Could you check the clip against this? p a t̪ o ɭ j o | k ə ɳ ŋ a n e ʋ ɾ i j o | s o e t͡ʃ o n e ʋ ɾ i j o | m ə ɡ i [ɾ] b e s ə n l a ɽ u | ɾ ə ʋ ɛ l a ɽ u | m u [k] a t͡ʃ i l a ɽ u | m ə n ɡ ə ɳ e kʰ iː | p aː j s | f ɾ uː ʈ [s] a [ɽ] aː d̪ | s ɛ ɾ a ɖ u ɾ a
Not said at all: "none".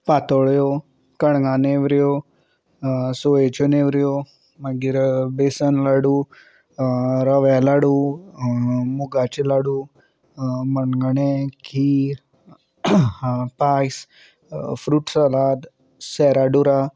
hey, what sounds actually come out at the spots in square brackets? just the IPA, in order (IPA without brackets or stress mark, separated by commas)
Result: ɾ, ɡ, s, l